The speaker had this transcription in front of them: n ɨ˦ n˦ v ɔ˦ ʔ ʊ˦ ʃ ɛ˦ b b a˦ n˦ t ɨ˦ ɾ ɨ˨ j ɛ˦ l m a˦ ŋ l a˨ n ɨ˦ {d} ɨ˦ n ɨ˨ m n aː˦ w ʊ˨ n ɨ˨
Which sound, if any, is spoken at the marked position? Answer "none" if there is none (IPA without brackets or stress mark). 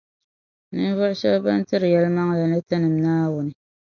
t